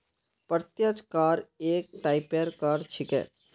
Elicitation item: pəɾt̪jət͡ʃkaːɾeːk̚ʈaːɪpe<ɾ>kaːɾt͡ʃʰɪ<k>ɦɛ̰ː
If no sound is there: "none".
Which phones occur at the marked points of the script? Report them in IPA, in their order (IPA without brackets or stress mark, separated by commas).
ɾ, k